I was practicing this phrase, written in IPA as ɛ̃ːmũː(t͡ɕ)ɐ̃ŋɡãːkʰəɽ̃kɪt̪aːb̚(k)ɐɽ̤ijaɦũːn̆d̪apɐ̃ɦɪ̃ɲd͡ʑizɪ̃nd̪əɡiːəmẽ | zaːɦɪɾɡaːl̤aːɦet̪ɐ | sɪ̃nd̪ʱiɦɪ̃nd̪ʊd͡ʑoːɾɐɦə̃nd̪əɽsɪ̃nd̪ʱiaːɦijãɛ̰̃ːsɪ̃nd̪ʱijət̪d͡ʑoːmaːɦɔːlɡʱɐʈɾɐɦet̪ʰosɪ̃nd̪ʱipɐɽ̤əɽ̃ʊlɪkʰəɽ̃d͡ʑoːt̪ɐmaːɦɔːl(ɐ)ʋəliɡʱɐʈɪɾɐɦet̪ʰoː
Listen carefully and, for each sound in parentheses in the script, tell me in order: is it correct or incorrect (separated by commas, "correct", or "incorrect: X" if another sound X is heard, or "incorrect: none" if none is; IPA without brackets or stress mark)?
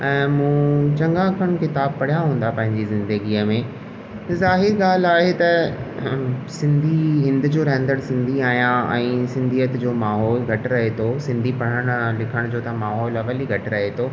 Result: correct, incorrect: p, correct